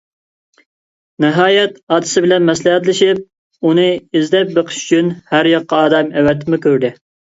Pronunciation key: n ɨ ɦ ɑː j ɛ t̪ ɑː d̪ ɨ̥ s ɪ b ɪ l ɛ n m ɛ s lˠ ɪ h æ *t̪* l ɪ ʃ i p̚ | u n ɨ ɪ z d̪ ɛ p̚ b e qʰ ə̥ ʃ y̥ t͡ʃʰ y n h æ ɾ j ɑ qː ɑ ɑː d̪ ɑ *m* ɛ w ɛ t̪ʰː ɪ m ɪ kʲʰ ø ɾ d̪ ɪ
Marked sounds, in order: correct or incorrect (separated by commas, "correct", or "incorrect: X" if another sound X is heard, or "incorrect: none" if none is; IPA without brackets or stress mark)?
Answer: correct, correct